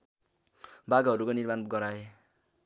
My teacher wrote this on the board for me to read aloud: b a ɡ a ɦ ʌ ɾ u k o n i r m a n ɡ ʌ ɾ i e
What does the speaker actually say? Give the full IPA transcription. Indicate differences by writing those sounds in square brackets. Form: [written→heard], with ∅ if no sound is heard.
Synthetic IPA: b a ɡ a ɦ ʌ ɾ u k o n i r m a n ɡ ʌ ɾ [i→a] e